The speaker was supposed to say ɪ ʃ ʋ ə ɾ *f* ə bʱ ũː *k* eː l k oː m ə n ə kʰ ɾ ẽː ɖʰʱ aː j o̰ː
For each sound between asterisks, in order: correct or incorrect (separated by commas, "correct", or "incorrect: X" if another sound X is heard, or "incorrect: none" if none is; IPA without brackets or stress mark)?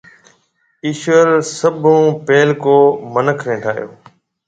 incorrect: s, incorrect: p